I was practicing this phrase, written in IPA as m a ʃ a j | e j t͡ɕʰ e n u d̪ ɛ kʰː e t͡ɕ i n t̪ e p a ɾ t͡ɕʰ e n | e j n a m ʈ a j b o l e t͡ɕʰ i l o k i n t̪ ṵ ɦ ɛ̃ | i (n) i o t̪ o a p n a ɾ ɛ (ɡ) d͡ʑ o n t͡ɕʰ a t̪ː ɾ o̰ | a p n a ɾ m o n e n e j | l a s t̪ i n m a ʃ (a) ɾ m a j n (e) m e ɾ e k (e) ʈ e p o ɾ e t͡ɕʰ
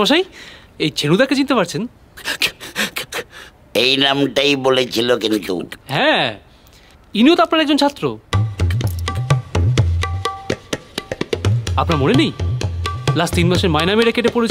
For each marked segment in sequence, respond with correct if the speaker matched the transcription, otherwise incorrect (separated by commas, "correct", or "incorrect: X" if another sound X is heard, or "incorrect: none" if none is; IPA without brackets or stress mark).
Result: correct, correct, incorrect: e, incorrect: a, correct